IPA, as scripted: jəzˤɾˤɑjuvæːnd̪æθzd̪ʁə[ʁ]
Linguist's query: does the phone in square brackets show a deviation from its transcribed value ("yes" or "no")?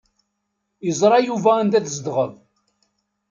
yes